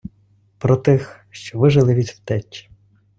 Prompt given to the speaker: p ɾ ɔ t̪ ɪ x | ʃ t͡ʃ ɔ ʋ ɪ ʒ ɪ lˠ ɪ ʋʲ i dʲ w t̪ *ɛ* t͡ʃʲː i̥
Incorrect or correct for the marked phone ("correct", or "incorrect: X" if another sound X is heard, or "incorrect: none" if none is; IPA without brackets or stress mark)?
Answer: correct